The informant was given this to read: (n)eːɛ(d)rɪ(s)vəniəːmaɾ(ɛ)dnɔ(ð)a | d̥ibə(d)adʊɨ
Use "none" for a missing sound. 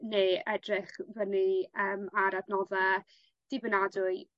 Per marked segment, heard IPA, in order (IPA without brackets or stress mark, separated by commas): n, d, χ, a, ð, n